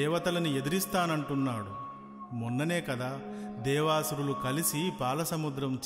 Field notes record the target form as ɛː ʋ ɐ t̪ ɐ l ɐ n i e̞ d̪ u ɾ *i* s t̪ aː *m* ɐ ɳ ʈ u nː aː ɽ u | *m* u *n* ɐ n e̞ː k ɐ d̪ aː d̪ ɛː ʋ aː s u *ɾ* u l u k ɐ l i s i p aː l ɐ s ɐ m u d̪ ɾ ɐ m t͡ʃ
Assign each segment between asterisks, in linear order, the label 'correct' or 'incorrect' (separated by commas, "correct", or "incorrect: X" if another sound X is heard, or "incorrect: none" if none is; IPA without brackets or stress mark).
correct, incorrect: n, correct, incorrect: nː, correct